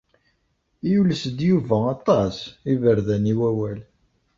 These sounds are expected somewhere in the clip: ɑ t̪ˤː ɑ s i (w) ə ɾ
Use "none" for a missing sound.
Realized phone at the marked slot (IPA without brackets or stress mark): v